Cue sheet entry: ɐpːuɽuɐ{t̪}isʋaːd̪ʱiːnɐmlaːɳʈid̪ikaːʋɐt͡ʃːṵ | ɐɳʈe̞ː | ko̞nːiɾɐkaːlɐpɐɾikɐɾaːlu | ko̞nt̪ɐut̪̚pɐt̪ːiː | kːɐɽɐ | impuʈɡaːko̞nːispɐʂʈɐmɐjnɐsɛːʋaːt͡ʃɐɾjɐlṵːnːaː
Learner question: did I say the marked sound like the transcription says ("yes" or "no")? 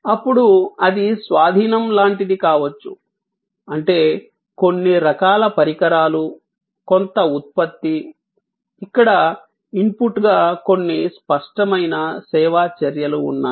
no